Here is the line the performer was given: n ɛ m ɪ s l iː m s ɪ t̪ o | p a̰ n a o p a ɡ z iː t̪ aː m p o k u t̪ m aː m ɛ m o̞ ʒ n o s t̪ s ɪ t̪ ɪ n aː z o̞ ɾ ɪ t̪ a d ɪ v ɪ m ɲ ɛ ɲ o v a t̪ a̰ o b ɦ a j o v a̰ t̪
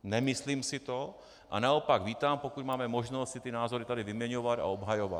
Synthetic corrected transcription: n ɛ m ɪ s l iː m s ɪ t̪ o | ʔ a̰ n a o p a ɡ v iː t̪ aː m p o k u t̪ m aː m ɛ m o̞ ʒ n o s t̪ s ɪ t̪ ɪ n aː z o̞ ɾ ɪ t̪ a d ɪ v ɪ m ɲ ɛ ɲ o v a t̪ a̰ o b ɦ a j o v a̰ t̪

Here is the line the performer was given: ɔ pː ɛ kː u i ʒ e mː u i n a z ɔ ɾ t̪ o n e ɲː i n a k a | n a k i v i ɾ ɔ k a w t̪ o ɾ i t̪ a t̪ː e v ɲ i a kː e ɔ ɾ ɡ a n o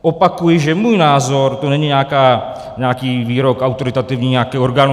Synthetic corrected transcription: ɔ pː a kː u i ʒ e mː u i n a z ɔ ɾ t̪ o n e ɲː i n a k a | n a k i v i ɾ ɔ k a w t̪ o ɾ i t̪ a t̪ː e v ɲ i a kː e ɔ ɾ ɡ a n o

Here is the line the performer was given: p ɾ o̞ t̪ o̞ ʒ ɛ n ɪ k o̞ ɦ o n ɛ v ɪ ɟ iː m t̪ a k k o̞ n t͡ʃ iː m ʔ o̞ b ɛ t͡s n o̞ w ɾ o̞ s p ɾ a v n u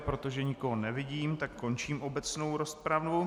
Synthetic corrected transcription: p ɾ o̞ t̪ o̞ ʒ ɛ ɲ ɪ k o̞ ɦ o n ɛ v ɪ ɟ iː m t̪ a k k o̞ n t͡ʃ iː m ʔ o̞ b ɛ t͡s n o̞ w ɾ o̞ s p ɾ a v n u

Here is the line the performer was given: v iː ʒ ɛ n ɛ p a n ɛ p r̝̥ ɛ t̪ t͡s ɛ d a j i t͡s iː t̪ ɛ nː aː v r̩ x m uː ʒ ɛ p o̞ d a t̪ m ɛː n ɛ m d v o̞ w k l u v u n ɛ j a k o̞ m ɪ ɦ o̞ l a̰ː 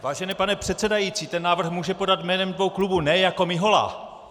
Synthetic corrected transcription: v aː ʒ ɛ n ɛ p a n ɛ p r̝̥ ɛ t̪ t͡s ɛ d a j i t͡s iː t̪ ɛ nː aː v r̩ x m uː ʒ ɛ p o̞ d a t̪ m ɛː n ɛ m d v o̞ w k l u b u n ɛ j a k o̞ m ɪ ɦ o̞ l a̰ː

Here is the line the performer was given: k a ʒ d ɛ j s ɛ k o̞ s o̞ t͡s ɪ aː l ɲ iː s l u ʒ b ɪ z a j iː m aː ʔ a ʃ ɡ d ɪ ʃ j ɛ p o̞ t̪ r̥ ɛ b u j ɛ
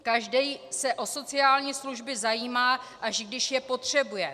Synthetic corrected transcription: k a ʒ d ɛ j s ɛ ʔ o̞ s o̞ t͡s ɪ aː l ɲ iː s l u ʒ b ɪ z a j iː m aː ʔ a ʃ ɡ d ɪ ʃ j ɛ p o̞ t̪ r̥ ɛ b u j ɛ

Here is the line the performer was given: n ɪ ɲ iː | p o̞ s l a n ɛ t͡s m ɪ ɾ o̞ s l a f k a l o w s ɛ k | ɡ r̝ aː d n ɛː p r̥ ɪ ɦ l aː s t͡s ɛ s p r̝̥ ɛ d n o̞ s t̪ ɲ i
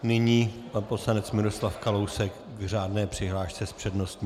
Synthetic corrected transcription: n ɪ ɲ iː | p o̞ s l a n ɛ t͡s m ɪ ɾ o̞ s l a f k a l o w s ɛ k | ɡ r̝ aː d n ɛː p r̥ ɪ ɦ l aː ʃ t͡s ɛ s p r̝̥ ɛ d n o̞ s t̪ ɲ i

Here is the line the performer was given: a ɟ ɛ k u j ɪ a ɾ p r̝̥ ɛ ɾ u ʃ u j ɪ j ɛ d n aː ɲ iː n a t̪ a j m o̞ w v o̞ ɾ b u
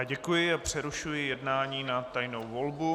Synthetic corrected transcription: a ɟ ɛ k u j ɪ a p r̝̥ ɛ ɾ u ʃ u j ɪ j ɛ d n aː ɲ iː n a t̪ a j n o̞ w v o̞ l b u

